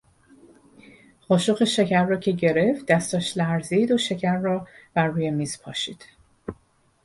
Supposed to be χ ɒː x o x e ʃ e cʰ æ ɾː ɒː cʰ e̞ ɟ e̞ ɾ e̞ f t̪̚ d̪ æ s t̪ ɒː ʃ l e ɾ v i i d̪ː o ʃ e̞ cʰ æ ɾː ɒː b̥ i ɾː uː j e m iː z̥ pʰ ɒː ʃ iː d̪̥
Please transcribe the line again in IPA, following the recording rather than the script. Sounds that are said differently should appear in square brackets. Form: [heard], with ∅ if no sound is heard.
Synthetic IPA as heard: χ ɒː [ʃ] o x e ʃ e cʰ æ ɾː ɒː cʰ e̞ ɟ e̞ ɾ e̞ f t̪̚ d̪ æ s t̪ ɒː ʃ l [æ] ɾ [z] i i [d̪] o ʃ e̞ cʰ æ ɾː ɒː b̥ [æ] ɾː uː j e m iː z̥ pʰ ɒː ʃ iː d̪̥